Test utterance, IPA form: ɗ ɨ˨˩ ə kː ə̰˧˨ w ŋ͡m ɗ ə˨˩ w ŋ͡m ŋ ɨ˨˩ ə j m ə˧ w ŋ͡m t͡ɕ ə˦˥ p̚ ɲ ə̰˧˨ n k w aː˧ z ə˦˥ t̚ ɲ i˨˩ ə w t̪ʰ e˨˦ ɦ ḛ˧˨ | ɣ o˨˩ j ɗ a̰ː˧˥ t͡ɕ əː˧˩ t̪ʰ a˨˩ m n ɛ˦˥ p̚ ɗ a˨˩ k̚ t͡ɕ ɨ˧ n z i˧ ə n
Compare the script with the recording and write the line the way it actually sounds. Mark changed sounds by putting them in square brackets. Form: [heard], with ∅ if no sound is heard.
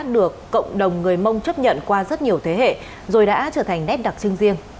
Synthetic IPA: ɗ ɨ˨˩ ə kː ə̰˧˨ w ŋ͡m ɗ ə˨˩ w ŋ͡m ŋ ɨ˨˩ ə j m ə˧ w ŋ͡m t͡ɕ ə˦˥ p̚ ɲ ə̰˧˨ n k w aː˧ z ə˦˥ t̚ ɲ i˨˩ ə w t̪ʰ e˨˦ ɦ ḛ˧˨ | [z] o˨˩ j ɗ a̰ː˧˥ t͡ɕ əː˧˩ t̪ʰ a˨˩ [ŋ] n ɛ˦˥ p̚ ɗ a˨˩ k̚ t͡ɕ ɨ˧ [ŋ] z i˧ ə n